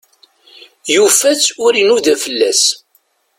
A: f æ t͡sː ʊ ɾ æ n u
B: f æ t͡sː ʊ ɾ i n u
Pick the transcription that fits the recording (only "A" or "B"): B